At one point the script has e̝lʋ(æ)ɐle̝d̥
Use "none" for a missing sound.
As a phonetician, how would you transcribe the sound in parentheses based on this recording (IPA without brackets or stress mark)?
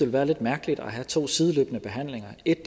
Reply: æː